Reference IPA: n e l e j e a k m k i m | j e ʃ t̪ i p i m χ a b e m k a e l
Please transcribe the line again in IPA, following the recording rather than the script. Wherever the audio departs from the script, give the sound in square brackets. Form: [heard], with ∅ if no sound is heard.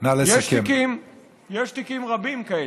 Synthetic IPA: n [a] l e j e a k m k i m | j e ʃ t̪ i [k] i m [ʁ] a b [i] m k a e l

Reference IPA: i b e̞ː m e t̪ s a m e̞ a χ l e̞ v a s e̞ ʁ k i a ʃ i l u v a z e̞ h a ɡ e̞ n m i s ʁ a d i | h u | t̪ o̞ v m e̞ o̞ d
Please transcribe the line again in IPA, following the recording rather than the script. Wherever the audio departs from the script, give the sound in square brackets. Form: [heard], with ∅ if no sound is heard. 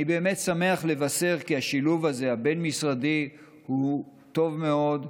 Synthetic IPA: i b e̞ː m e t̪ s a m e̞ a χ l e̞ v a s e̞ ʁ k i a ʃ i l u v a z e̞ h a [b] e̞ n m i s ʁ a d i | h u | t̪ o̞ v m e̞ o̞ d

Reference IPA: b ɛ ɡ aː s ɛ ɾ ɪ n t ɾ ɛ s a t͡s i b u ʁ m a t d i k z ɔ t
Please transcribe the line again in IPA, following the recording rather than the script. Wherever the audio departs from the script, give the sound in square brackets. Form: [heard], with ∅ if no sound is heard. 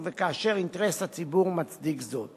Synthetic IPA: [v] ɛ [k] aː [ʃ] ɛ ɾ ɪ n t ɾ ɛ s a t͡s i b u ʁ m a [t͡s] d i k z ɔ t

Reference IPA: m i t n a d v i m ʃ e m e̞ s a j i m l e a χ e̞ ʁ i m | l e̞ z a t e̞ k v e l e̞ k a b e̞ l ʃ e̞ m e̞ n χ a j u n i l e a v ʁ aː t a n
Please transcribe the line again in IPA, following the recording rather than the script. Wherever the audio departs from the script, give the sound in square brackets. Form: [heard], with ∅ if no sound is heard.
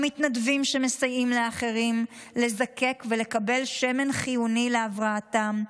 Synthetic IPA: m i t n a d v i m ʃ e m e̞ s a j i m l e a χ e̞ ʁ i m | l e̞ z a [k] e̞ k v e l e̞ k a b e̞ l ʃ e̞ m e̞ n χ [i] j u n i l e a v ʁ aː t a [m]

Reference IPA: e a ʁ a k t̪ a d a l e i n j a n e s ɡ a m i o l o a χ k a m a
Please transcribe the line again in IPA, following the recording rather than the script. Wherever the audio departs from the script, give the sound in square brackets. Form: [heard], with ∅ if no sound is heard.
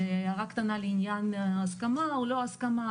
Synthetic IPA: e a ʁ a k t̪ a [n] a l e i n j a n [a] s [k] a m [a] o l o a [s] k a m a

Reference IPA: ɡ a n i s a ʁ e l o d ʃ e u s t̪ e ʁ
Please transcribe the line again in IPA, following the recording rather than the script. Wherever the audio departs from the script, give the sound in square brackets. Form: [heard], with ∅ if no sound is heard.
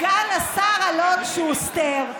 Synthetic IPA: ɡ a n [a] s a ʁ [a] l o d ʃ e u s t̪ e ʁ

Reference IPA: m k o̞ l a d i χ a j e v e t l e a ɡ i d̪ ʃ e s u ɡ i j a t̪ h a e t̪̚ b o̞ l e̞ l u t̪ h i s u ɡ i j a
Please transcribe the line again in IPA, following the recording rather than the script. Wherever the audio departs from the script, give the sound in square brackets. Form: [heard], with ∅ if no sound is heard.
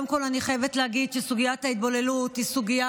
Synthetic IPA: m k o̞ l a [n] i χ a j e v e t l e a ɡ i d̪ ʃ e s u ɡ i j a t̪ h a [i] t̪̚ b o̞ l e̞ l u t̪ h i s u ɡ i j a

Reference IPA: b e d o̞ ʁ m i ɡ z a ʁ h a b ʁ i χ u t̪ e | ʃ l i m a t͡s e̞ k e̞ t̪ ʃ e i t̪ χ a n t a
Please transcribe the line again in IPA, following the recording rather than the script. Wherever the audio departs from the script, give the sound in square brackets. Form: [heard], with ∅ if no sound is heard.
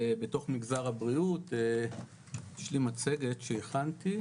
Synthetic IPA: b e [t] o̞ [χ] m i ɡ z a ʁ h a b ʁ i [∅] u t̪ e | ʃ l i m a t͡s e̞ [ɡ] e̞ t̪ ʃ e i [∅] χ a n t [i]

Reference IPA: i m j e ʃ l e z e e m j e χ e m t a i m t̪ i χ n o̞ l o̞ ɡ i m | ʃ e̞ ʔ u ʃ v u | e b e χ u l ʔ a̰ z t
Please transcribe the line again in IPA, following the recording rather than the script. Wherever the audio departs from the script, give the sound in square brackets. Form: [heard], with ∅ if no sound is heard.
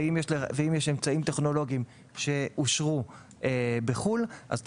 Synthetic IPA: i m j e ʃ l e [v] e [i] m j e [ʃ] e m [t͡s] a i m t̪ [e] χ n o̞ l o̞ ɡ i m | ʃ e̞ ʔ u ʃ [ʁ] u | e b e χ u l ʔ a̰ z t

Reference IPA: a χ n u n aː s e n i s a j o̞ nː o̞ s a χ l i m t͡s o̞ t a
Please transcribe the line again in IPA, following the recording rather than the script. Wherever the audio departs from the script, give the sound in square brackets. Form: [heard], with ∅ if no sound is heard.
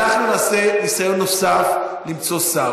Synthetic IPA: a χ n u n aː s e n i s a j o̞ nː o̞ s a [f] l i m t͡s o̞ [s] a

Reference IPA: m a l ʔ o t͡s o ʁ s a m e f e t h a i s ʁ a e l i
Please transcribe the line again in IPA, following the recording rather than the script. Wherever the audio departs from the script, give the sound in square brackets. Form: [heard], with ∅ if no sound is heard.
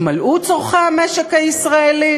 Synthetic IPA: m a l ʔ [u] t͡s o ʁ [χ] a m e [ʃ] e [k] h a i s ʁ a e l i

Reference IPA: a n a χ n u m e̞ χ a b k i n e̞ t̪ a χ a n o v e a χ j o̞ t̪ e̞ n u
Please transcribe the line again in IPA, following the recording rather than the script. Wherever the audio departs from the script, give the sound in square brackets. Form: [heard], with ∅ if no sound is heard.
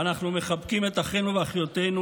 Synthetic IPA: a n a χ n u m e̞ χ a b k i [m] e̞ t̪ a χ [e] n [u] v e a χ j o̞ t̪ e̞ n u

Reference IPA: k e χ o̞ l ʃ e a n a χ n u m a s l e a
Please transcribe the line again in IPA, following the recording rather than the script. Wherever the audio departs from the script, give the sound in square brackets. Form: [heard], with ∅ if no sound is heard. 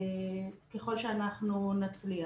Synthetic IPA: k e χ o̞ l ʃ e a n a χ n u [n] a [t͡s] l [i] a

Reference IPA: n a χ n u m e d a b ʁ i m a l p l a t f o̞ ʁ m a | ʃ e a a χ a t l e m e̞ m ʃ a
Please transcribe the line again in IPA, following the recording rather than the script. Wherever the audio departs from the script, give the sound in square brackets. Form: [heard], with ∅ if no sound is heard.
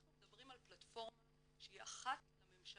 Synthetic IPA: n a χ n u m e d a b ʁ i m a l p l a t f o̞ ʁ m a | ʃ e [i] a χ a t l [a] m e̞ m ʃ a

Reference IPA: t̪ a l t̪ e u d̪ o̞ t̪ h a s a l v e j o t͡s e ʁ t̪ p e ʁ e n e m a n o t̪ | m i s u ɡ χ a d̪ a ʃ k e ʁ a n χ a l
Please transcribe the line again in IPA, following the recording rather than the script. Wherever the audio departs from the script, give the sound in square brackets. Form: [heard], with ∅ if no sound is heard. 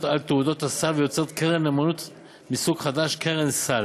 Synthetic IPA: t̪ a l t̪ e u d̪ o̞ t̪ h a s a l v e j o t͡s e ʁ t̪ [k] e ʁ e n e m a n [u] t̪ | m i s u ɡ χ a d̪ a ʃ k e ʁ [e] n [s] a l

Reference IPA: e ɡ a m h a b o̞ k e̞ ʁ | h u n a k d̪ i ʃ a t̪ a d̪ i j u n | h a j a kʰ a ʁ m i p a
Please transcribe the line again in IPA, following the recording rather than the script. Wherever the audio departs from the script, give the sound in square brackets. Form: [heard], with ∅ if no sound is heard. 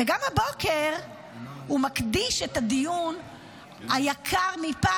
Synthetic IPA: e ɡ a m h a b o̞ k e̞ ʁ | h u [m] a k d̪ i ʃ [e] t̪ a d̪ i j u n | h a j a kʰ a ʁ m i p a

